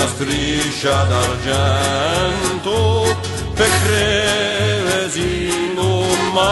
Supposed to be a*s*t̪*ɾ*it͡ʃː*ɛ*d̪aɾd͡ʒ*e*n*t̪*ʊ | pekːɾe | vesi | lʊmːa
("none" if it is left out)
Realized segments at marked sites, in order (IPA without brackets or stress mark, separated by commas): s, ɾ, a, ɛ, t̪